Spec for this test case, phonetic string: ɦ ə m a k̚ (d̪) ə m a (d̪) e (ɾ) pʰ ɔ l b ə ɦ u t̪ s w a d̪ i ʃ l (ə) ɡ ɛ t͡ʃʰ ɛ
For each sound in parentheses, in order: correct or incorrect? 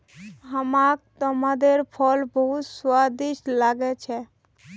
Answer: incorrect, correct, correct, incorrect

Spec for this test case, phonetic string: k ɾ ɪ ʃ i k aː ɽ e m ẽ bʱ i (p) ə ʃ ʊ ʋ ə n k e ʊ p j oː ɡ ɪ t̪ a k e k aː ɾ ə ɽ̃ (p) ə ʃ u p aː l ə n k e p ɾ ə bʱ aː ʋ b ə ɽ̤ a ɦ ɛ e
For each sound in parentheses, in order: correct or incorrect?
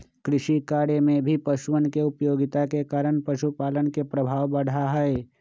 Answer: correct, correct

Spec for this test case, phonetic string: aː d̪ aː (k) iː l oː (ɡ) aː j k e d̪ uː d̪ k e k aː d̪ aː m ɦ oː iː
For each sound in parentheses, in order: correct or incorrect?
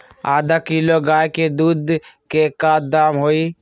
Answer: correct, correct

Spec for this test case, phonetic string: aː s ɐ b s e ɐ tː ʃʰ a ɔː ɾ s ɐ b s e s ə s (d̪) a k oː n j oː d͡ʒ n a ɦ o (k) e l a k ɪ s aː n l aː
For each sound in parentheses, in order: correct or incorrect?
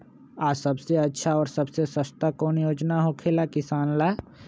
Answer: incorrect, incorrect

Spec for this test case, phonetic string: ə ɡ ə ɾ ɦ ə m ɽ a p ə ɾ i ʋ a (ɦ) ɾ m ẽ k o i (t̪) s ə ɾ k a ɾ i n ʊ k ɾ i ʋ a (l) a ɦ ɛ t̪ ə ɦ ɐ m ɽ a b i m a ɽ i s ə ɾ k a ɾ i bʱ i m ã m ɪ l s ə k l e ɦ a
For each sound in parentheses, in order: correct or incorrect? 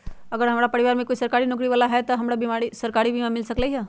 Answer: incorrect, incorrect, correct

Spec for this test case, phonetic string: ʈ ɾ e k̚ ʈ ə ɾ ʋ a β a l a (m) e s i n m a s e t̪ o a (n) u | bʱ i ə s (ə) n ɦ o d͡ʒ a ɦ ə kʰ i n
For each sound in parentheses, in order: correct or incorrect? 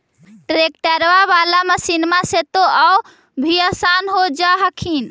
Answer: correct, incorrect, incorrect

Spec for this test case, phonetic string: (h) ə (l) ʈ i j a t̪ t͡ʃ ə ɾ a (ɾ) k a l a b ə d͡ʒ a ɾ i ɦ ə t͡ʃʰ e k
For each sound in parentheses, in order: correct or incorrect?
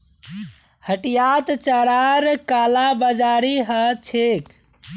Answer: correct, incorrect, correct

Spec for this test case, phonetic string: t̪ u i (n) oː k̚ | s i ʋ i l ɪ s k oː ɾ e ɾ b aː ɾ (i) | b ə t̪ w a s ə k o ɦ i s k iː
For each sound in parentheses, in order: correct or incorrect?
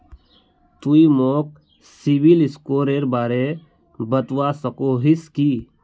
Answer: incorrect, incorrect

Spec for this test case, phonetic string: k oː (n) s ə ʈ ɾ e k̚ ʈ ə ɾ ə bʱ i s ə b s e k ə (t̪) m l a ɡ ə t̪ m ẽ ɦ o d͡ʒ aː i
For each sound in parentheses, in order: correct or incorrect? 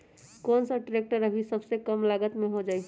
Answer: correct, incorrect

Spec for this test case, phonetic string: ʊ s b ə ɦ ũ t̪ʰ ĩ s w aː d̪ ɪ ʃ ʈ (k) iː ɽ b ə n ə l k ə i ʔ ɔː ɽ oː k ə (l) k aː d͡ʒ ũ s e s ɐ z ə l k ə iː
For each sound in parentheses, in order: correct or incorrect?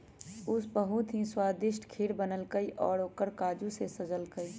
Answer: incorrect, incorrect

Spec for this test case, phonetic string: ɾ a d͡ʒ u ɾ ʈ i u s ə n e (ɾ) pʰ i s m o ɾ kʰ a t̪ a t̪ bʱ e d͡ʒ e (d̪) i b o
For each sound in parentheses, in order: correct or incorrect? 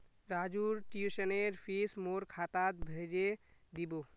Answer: correct, correct

